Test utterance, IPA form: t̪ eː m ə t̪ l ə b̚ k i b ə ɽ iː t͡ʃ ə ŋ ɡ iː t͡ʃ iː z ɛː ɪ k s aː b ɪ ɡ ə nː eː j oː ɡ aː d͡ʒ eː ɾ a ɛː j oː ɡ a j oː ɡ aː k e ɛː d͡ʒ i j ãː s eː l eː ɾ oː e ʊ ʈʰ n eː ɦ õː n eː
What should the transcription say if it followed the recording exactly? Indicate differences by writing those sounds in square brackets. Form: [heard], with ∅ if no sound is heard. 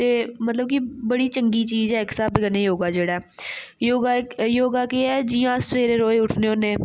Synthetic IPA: t̪ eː m ə t̪ l ə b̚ k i b ə ɽ iː t͡ʃ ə ŋ ɡ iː t͡ʃ iː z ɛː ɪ k s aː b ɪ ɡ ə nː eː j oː ɡ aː d͡ʒ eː [ɽ] a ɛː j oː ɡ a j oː ɡ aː k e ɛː d͡ʒ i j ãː s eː [ɾ] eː ɾ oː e ʊ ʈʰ n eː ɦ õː n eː